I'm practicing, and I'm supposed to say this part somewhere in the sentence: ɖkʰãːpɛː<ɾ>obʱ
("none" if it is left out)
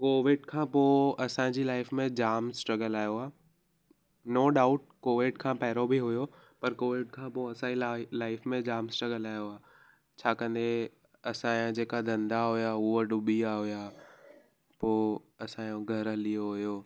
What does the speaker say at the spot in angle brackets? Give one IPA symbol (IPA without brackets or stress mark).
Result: ɾ